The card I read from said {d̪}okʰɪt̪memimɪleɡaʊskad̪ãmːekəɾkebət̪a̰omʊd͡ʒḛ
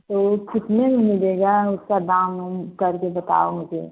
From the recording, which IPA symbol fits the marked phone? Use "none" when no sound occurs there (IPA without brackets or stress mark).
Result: t̪